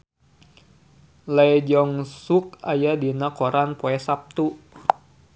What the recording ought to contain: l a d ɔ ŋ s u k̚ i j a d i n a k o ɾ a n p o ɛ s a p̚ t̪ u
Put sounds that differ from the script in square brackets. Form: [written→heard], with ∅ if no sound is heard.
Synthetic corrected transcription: l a [d→d͡ʒ] ɔ ŋ s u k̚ [i→a] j a d i n a k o ɾ a n p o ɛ s a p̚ t̪ u